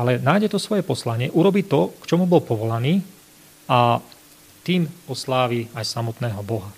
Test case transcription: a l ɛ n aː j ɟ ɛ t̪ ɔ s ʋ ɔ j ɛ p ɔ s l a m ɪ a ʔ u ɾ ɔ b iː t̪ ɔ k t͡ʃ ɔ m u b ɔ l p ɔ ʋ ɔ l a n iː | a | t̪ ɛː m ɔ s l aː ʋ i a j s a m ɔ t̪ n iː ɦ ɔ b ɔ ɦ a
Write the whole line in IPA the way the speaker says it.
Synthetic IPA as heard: a l ɛ n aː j ɟ ɛ t̪ ɔ s ʋ ɔ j ɛ p ɔ s l a ɲ ɪ ɛ ʔ u ɾ ɔ b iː t̪ ɔ k t͡ʃ ɔ m u b ɔ l p ɔ ʋ ɔ l a n iː | a | t̪ iː m ɔ s l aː ʋ i a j s a m ɔ t̪ n ɛː ɦ ɔ b ɔ ɦ a